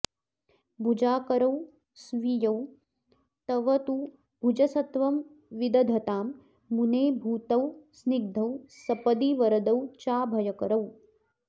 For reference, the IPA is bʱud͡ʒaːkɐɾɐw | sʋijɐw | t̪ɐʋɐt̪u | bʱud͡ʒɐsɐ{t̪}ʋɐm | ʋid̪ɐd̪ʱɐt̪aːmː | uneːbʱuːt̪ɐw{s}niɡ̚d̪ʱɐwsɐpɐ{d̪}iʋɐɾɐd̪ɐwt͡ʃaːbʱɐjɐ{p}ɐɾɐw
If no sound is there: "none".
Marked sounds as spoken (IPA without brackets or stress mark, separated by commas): t̪, s, d̪, k